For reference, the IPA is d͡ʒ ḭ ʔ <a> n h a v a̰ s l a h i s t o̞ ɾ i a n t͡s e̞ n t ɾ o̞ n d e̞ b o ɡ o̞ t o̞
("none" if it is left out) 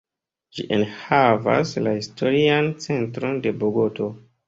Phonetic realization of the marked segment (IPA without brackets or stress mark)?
e